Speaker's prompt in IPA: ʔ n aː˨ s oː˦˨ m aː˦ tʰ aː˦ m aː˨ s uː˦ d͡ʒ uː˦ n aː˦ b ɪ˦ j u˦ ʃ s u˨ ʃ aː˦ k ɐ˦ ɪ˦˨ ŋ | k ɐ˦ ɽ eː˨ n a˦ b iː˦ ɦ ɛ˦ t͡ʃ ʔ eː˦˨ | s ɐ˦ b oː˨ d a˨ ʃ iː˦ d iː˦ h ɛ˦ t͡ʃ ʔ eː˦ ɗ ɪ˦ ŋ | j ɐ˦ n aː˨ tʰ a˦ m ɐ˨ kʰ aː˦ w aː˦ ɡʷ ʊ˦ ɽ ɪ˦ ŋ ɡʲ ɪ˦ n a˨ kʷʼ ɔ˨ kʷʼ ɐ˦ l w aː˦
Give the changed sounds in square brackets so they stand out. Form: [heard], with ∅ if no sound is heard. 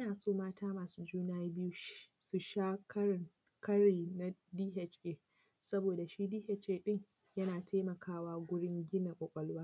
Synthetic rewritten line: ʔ n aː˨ s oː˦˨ m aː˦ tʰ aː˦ m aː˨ s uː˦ d͡ʒ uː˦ n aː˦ b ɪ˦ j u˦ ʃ s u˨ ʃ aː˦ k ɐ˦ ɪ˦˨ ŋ | k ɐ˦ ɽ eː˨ n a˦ [d] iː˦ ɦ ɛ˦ t͡ʃ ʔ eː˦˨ | s ɐ˦ b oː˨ d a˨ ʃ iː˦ d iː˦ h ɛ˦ t͡ʃ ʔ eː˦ ɗ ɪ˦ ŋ | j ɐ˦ n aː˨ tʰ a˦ m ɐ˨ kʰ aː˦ w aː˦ ɡʷ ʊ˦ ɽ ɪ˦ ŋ ɡʲ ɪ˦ n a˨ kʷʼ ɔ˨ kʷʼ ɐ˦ l w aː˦